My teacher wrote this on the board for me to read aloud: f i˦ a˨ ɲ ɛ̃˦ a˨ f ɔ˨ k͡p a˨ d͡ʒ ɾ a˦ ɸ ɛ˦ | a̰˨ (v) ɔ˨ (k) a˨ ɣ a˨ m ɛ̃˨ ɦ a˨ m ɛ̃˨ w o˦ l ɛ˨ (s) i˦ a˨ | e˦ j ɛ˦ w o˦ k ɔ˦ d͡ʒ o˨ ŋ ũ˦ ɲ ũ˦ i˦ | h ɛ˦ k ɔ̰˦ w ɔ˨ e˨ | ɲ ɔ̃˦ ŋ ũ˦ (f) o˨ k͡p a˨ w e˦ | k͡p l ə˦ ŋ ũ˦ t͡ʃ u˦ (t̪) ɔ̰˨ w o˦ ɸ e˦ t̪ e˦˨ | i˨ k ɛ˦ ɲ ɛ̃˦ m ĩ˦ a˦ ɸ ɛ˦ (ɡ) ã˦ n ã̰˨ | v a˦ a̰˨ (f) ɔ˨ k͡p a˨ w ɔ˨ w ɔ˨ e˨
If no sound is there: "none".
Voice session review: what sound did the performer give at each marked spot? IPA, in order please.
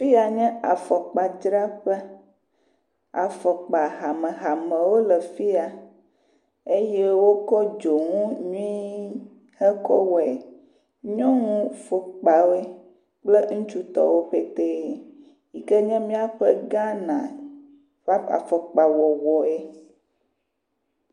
f, k͡p, f, f, t̪, ɡ, f

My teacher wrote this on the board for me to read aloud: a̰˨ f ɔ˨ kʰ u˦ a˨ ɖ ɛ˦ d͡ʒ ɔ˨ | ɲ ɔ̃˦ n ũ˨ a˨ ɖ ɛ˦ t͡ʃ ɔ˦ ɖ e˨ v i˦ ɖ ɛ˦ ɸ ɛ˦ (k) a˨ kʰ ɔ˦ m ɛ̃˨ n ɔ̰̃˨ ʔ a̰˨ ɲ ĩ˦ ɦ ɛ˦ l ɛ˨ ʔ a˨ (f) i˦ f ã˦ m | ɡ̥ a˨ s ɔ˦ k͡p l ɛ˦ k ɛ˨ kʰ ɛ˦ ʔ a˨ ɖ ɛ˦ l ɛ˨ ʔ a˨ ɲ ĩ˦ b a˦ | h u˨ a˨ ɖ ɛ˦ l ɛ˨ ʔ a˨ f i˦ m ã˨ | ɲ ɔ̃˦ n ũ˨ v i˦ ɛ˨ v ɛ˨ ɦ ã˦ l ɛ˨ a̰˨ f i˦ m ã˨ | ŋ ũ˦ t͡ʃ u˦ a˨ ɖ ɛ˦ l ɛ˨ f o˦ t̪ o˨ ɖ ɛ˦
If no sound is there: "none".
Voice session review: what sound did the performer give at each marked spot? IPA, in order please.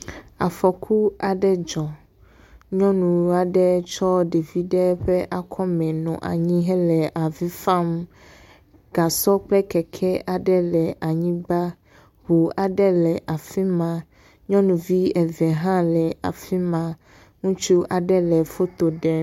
ʔ, v

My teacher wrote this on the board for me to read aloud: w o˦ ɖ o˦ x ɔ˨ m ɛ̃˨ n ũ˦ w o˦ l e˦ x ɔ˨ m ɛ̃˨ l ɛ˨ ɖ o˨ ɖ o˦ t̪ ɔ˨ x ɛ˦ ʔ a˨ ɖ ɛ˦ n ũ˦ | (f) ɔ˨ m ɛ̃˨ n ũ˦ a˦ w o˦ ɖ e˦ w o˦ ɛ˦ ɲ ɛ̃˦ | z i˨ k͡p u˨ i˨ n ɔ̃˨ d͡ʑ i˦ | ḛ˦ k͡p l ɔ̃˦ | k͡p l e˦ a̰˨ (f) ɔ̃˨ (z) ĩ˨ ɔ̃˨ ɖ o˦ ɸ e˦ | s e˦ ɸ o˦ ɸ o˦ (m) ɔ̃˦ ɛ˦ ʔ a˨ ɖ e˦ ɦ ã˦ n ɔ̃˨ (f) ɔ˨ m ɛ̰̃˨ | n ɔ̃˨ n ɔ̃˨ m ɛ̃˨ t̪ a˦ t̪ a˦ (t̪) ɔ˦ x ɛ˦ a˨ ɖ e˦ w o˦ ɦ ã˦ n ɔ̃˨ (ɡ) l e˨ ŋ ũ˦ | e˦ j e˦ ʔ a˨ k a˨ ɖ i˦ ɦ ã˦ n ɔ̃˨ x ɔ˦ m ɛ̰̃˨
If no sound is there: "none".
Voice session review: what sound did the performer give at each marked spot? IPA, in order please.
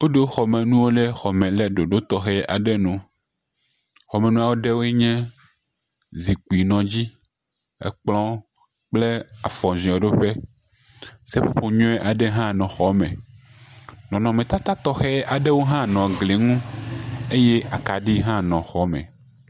x, f, z, ɲ, x, t̪, ɡ

